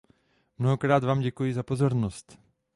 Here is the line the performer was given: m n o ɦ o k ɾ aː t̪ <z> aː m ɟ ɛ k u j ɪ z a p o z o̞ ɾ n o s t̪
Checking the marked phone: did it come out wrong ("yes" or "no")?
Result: yes